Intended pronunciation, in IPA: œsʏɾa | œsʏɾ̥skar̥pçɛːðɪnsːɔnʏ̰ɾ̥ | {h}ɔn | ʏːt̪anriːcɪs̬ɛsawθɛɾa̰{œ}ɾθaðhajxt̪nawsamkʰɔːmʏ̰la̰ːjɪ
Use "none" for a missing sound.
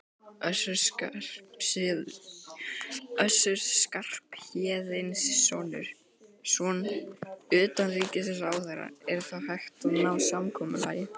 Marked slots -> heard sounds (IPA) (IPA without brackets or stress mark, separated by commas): s, ɛ